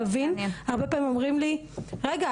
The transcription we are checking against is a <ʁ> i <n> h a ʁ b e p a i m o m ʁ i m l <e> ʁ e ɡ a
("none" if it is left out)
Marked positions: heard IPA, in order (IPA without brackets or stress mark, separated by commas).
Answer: v, n, i